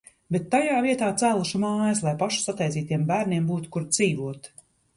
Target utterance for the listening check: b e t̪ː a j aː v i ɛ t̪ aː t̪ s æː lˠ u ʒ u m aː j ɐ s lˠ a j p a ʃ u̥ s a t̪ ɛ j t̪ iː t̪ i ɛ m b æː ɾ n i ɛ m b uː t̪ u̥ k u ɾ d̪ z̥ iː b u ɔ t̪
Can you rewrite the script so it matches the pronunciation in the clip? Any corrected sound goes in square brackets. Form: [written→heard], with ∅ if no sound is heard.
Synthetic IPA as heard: b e t̪ː a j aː v i ɛ t̪ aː t̪ s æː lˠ u [ʒ→ʃ] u m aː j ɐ s lˠ a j p a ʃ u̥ s a t̪ ɛ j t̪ iː t̪ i ɛ m b æː ɾ n i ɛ m b uː t̪ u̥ k u ɾ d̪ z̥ iː [b→v] u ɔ t̪